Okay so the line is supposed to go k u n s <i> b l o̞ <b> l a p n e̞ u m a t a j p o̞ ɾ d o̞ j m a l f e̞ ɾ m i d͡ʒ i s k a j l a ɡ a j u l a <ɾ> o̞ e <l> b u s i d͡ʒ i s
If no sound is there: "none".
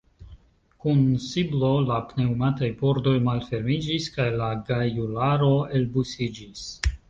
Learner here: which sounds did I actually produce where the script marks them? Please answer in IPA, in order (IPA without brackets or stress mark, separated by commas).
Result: i, none, ɾ, l